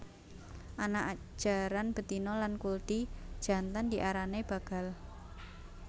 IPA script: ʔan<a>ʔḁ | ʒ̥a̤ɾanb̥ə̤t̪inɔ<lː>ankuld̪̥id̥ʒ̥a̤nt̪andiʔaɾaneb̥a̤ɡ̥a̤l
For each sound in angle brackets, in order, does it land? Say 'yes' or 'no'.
yes, no

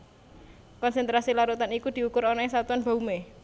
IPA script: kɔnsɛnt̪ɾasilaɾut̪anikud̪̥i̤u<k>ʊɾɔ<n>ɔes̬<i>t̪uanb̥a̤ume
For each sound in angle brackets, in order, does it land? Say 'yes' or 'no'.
yes, yes, no

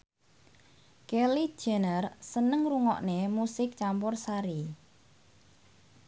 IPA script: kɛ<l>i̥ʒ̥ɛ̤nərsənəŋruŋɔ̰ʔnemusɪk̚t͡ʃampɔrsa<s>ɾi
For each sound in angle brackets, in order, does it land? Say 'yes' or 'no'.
yes, no

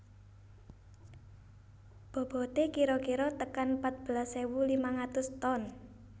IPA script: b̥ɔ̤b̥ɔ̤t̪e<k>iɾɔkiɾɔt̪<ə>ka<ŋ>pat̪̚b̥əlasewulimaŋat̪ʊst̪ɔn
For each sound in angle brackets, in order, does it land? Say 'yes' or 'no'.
yes, yes, no

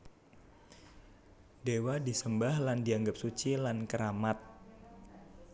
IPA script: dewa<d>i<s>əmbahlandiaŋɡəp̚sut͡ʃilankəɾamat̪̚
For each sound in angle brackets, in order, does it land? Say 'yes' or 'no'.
yes, yes

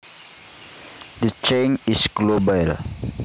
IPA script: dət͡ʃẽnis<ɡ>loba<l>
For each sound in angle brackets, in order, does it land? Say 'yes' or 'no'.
yes, yes

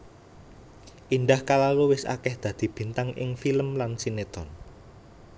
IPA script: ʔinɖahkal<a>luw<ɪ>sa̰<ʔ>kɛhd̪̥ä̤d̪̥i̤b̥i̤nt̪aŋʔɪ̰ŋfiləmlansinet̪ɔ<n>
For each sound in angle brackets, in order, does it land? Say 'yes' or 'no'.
yes, yes, no, yes

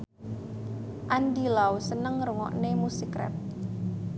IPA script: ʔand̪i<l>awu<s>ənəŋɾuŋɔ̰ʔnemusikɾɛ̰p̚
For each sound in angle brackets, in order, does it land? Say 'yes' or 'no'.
yes, yes

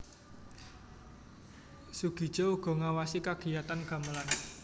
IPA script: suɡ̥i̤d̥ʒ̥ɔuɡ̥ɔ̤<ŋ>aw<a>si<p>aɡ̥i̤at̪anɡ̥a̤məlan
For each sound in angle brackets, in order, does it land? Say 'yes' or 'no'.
yes, yes, no

